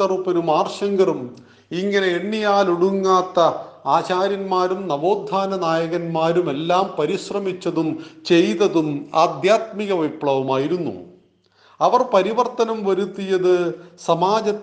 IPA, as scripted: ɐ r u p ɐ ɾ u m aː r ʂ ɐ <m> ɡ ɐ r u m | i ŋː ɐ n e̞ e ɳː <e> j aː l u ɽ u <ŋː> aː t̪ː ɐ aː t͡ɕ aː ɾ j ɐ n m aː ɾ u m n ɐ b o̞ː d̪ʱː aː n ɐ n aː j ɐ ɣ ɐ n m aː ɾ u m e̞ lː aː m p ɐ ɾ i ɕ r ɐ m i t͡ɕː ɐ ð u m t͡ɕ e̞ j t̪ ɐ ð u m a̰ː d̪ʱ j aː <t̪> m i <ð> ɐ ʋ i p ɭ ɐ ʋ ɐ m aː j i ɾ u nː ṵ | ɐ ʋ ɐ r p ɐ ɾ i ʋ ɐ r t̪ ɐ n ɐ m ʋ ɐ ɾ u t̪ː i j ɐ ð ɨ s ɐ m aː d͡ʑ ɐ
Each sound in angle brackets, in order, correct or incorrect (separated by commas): incorrect, incorrect, correct, correct, incorrect